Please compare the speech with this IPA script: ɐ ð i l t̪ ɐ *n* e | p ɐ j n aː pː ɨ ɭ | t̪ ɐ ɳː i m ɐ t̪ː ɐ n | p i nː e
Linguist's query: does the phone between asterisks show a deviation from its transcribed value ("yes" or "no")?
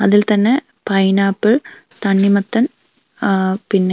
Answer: yes